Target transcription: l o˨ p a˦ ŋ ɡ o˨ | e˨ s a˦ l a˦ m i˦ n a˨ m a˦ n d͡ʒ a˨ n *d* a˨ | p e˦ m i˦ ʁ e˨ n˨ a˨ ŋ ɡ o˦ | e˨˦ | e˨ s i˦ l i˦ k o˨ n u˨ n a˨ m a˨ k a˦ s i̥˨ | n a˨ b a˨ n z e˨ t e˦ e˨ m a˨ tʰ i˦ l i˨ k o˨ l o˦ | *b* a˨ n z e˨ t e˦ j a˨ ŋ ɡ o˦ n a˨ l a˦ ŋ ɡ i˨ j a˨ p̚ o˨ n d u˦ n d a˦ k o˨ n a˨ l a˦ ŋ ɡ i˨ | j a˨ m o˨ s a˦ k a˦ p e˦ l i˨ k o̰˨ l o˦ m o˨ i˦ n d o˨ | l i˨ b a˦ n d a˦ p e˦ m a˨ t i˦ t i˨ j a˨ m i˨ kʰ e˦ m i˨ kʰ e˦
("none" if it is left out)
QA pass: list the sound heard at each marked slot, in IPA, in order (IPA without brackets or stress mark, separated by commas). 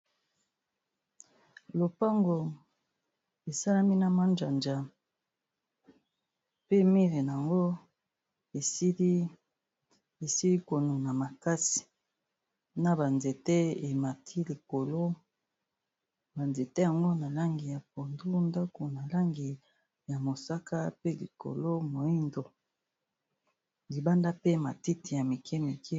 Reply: d͡ʒ, b